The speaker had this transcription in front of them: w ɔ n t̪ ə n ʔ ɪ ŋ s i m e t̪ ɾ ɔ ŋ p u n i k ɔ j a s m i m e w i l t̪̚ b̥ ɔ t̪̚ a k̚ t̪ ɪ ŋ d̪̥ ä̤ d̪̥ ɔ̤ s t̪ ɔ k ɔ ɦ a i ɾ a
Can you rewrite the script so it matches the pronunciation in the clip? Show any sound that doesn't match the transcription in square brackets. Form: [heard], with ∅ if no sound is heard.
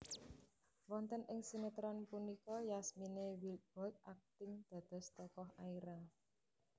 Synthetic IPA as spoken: w ɔ n t̪ ə n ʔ ɪ ŋ s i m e t̪ ɾ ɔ [n] p u n i k ɔ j a s m i [n] e w i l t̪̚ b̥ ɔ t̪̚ a k̚ t̪ ɪ ŋ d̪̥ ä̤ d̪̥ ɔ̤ s t̪ ɔ k ɔ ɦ a i ɾ a